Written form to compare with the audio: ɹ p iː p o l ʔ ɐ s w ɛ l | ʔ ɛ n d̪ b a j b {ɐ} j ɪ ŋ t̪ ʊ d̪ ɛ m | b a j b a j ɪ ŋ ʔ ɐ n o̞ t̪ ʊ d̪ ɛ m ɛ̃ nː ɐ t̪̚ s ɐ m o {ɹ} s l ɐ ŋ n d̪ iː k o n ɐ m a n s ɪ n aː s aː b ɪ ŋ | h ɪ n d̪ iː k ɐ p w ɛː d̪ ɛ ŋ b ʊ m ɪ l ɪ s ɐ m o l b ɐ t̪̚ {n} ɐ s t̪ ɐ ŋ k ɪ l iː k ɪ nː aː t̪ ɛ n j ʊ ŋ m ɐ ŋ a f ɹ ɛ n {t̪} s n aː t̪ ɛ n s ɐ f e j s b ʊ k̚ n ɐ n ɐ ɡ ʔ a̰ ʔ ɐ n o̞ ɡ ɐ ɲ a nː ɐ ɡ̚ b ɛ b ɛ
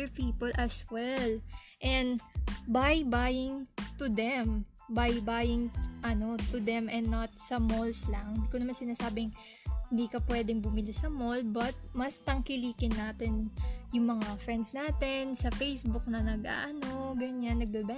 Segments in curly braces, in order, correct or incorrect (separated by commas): incorrect, incorrect, incorrect, incorrect